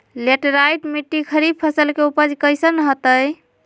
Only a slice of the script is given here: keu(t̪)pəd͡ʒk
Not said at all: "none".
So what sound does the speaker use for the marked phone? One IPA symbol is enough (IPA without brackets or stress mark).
none